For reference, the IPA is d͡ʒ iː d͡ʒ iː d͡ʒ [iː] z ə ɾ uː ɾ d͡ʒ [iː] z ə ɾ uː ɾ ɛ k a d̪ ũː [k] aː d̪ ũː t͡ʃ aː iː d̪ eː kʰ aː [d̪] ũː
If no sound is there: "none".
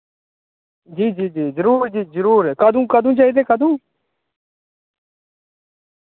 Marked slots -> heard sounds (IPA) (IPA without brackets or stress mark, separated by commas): iː, iː, k, d̪